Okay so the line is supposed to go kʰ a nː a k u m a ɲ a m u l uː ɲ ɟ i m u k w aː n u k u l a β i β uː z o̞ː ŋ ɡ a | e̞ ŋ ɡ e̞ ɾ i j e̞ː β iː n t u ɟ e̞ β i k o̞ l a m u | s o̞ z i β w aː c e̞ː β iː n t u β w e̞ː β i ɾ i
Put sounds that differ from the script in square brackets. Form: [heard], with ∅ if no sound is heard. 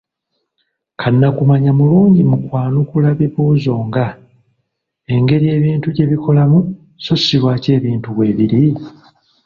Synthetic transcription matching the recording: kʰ a nː a k u m a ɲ a m u l uː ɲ ɟ i m u k w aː n u k u l a β i β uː z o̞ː ŋ ɡ a | e̞ ŋ ɡ e̞ ɾ i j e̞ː β iː n t u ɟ e̞ β i k o̞ l a m u | s o̞ [s] i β w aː c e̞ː β iː n t u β w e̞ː β i ɾ i

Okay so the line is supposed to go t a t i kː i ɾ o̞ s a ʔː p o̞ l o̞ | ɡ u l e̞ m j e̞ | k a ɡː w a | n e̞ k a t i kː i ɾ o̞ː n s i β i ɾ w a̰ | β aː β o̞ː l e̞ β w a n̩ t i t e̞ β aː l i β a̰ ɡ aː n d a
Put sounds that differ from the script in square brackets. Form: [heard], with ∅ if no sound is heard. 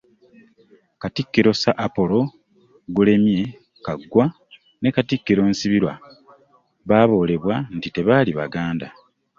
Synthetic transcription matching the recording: [k] a t i kː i ɾ o̞ s a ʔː p o̞ l o̞ | ɡ u l e̞ m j e̞ | k a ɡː w a | n e̞ k a t i kː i ɾ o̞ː n s i β i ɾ w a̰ | β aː β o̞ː l e̞ β w a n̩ t i t e̞ β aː l i β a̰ ɡ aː n d a

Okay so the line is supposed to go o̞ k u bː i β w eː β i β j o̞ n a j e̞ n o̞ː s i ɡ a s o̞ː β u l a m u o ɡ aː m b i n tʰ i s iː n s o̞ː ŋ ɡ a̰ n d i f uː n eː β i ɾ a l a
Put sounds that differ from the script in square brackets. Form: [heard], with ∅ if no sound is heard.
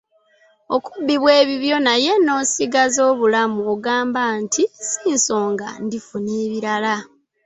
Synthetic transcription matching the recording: o̞ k u bː i β w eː β i β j o̞ n a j e̞ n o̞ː s i ɡ a [z] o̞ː β u l a m u o ɡ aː m b [a] n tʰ i s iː n s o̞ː ŋ ɡ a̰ n d i f [u] n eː β i ɾ a l a

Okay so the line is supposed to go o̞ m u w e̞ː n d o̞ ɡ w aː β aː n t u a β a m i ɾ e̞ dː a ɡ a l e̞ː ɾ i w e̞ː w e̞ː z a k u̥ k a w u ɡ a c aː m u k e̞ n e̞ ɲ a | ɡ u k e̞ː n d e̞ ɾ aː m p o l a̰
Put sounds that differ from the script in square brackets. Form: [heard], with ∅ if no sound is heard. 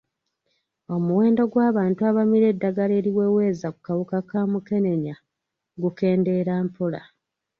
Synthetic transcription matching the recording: o̞ m u w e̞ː n d o̞ ɡ w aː β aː n t u a β a m i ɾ e̞ dː a ɡ a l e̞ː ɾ i w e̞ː w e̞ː z a k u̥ k a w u [k] a [k] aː m u k e̞ n e̞ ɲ a | ɡ u k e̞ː n d e̞ ɾ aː m p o l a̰

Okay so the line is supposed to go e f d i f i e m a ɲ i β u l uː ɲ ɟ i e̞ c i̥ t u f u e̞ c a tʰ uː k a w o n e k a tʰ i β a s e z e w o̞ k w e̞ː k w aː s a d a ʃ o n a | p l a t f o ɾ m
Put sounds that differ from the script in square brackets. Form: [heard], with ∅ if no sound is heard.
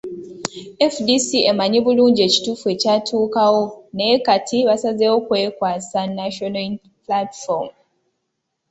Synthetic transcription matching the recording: e f d i [s] i e m a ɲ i β u l uː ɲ ɟ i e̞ c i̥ t u f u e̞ c a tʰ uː k a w o n e k a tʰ i β a s [a] z e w o̞ k w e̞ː k w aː s a [n] a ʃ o n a | p l a t f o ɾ m

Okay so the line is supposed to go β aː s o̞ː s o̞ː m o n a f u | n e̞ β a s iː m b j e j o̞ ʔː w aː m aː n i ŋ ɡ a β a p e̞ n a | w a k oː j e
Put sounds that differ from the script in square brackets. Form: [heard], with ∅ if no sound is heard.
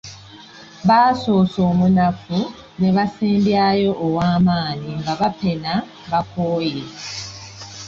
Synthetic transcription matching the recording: β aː s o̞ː s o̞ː m [u] n a f u | n e̞ β a s iː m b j [a] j o̞ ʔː w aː m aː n i ŋ ɡ a β a p e̞ n a | [β] a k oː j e

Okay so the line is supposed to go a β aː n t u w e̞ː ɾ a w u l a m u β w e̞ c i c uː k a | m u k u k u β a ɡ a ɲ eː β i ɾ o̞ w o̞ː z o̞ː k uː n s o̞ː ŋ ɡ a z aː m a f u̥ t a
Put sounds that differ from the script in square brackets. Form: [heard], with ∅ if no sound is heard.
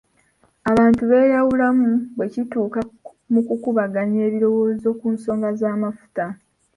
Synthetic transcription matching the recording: a β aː n t u [β] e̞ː ɾ a w u l a m u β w e̞ c i [t] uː k a | m u k u k u β a ɡ a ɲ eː β i ɾ o̞ w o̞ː z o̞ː k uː n s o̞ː ŋ ɡ a z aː m a f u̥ t a

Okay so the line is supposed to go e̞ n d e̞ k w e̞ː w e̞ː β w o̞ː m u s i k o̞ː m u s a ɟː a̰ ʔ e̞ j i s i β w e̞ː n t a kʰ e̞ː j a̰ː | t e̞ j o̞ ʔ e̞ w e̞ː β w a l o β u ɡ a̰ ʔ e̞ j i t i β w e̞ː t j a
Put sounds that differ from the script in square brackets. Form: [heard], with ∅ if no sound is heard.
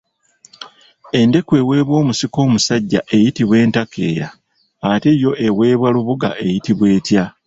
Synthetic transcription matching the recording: e̞ n d e̞ k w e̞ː w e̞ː β w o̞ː m u s i k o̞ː m u s a ɟː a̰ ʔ e̞ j i [t] i β w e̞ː n t a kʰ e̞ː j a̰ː | t e̞ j o̞ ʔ e̞ w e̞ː β w a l [u] β u ɡ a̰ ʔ e̞ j i t i β w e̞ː t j a

